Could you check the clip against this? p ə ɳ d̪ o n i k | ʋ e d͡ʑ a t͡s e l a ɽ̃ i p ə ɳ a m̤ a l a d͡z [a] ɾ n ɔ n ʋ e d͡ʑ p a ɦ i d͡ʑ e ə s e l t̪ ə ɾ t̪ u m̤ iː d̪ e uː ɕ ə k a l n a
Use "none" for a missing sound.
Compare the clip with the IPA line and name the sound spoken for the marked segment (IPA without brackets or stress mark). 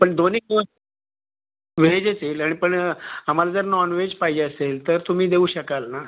ə